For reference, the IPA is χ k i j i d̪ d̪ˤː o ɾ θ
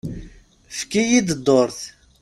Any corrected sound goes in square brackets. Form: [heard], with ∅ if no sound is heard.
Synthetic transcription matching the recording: [f] k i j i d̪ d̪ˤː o ɾ θ